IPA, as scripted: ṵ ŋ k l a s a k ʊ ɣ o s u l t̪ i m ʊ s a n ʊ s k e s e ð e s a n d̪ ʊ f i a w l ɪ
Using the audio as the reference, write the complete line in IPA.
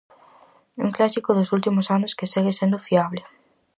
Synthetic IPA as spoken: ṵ ŋ k l a s i k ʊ ð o s u l t̪ i m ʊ s a n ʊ s k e s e ɣ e s e n d̪ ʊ f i a β l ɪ